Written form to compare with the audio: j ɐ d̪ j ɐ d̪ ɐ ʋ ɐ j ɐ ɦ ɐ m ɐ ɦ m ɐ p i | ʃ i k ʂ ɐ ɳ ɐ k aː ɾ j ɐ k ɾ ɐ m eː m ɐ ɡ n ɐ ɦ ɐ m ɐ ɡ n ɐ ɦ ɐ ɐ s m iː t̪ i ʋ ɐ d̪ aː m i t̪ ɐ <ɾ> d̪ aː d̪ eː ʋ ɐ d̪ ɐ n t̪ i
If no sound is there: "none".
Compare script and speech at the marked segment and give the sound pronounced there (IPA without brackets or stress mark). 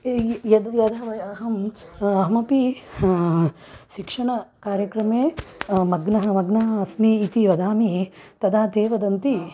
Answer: none